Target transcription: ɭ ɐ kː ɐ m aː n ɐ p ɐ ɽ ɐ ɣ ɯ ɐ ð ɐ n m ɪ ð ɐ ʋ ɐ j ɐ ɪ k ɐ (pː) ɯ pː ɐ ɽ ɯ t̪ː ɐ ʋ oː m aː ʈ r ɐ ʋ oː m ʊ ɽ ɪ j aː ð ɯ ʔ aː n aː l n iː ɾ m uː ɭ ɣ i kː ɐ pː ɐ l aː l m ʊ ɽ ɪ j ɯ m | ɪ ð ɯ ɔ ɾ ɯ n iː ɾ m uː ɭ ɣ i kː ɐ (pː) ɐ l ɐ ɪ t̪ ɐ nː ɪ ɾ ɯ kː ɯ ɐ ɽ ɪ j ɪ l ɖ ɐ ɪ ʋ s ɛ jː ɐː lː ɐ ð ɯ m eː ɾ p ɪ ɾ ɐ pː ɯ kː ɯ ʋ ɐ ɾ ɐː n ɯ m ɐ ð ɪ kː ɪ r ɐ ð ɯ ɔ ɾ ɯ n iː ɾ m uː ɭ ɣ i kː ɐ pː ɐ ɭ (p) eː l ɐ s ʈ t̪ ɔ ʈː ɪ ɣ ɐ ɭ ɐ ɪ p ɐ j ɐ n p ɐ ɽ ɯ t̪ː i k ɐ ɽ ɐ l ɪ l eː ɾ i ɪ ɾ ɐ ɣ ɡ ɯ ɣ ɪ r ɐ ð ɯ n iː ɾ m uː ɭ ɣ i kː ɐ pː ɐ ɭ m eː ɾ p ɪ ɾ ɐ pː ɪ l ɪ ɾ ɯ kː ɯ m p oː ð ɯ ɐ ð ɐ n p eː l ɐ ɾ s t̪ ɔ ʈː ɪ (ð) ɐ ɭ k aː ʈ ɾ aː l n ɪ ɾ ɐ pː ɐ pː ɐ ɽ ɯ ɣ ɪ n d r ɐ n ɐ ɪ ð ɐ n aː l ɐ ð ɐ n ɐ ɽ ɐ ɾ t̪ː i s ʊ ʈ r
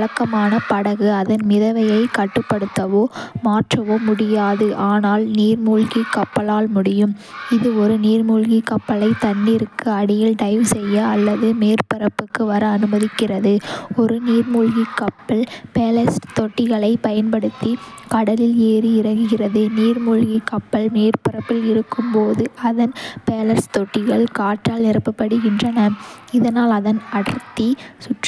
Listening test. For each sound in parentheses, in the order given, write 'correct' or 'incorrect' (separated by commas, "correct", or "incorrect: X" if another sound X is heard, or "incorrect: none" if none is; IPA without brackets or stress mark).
incorrect: ʈː, correct, correct, incorrect: ɣ